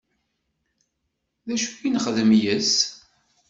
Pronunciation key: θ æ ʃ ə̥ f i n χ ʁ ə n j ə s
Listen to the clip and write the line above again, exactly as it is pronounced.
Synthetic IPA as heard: ð æ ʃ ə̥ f i n χ ð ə m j ə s